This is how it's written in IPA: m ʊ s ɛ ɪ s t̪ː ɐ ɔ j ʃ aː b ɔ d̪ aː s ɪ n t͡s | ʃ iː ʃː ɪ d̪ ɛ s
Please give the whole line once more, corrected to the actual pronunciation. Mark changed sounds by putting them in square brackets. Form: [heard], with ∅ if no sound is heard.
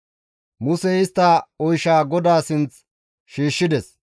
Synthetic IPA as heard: m ʊ s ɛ ɪ s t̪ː ɐ ɔ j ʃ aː [ɡ] ɔ d̪ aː s ɪ n t͡s | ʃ iː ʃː ɪ d̪ ɛ s